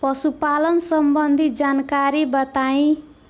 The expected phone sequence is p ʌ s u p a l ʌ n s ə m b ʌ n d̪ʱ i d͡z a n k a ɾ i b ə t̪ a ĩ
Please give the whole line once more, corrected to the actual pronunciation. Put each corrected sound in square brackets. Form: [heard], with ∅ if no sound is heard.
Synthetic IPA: p ʌ s u p a l ʌ n s [ʌ] m b ʌ n d̪ʱ i d͡z a n k a ɾ i b [ʌ] t̪ a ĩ